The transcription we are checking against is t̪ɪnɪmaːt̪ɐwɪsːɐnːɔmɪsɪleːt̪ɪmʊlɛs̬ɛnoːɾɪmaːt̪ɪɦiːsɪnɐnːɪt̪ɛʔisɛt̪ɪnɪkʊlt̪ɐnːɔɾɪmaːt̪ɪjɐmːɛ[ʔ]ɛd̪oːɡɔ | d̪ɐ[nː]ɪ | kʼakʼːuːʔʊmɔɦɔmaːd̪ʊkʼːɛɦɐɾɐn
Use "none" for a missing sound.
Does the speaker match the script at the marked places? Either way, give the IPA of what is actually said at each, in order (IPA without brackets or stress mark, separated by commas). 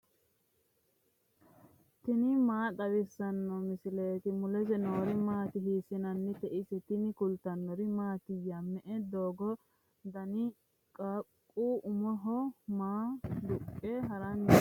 ʔ, n